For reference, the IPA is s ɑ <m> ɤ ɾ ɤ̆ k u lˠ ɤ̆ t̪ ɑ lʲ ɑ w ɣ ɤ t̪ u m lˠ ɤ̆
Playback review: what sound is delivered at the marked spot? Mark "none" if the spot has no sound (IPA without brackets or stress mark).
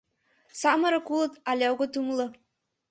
m